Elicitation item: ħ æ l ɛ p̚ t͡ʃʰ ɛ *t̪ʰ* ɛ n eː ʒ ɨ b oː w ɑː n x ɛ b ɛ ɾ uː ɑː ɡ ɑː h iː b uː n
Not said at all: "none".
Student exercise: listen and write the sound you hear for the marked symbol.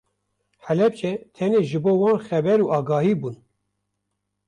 t̪ʰ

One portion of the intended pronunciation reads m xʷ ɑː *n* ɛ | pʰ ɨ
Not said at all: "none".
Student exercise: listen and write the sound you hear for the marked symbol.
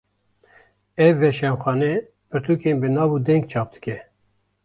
n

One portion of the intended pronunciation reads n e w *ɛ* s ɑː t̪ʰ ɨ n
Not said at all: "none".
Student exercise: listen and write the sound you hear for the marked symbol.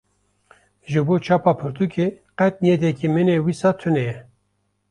i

